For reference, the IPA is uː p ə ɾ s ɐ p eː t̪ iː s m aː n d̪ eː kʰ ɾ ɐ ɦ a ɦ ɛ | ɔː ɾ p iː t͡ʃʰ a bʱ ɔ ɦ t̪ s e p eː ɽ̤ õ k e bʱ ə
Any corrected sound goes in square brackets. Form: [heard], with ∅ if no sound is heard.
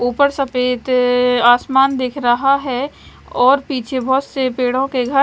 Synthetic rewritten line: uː p ə ɾ s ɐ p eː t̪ [aː] s m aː n d̪ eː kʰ ɾ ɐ ɦ a ɦ ɛ | ɔː ɾ p iː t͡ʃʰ [e] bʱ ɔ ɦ t̪ s e p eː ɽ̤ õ k e [ɡʱ] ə